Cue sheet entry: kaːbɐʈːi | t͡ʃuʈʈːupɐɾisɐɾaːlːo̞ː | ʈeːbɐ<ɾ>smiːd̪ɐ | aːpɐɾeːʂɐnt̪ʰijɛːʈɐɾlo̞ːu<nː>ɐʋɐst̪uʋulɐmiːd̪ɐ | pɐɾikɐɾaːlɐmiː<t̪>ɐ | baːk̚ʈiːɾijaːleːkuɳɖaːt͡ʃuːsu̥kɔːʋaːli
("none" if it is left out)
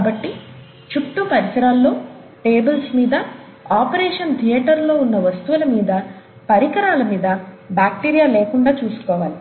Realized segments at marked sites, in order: l, nː, d̪

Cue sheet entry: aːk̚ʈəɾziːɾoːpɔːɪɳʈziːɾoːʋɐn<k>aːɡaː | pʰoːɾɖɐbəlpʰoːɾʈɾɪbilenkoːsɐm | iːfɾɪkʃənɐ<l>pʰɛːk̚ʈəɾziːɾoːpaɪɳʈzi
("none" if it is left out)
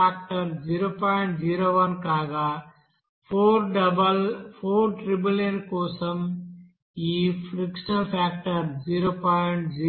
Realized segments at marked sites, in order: k, l

